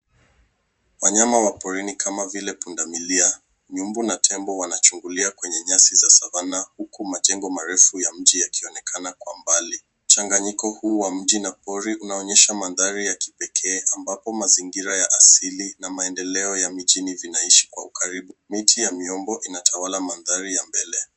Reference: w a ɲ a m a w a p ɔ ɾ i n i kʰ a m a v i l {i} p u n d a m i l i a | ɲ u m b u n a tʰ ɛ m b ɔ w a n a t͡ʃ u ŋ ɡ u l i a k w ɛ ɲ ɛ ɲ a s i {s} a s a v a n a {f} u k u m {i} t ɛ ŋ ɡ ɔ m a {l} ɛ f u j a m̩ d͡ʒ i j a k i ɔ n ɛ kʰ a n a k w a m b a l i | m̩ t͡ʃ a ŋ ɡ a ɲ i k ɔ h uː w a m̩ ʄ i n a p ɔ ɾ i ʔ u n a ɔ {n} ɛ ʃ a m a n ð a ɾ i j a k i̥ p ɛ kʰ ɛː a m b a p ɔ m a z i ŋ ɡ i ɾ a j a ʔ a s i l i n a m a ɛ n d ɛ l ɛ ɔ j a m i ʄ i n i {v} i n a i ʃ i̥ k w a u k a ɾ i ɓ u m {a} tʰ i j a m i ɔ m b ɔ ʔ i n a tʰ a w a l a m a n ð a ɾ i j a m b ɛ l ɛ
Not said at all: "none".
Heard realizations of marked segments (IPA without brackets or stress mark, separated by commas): ɛ, z, h, a, ɾ, ɲ, v, i